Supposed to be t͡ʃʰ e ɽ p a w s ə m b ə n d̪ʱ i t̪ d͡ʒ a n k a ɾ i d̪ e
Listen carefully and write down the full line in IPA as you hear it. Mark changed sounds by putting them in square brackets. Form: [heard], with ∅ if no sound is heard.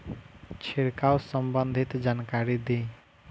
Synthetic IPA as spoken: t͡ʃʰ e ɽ [k] a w s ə m b ə n d̪ʱ i t̪ d͡ʒ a n k a ɾ i d̪ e